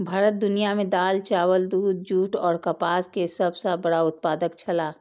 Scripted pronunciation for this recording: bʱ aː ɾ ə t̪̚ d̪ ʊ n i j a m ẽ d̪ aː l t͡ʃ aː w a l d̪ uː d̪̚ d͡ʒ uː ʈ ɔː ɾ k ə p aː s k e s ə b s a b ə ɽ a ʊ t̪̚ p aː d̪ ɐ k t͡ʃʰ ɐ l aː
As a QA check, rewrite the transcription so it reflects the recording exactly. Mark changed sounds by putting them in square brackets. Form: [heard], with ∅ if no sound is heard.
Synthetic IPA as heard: bʱ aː ɾ ə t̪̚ d̪ ʊ n i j a m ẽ d̪ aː l t͡ʃ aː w [ə] l d̪ uː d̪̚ d͡ʒ uː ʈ ɔː ɾ k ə p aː s k e s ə b s a b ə ɽ a ʊ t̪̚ p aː d̪ [ə] k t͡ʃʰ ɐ l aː